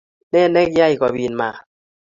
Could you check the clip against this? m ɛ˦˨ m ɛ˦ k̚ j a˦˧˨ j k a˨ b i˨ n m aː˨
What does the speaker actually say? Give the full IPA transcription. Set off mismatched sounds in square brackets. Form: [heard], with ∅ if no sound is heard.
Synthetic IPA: [n] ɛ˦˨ [n] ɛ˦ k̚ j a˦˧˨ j k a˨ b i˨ n m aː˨